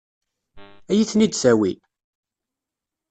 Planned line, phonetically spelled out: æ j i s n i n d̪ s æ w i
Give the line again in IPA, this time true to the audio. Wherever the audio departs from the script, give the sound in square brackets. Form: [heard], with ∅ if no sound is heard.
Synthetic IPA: æ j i [θ] n i [∅] d̪ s æ w i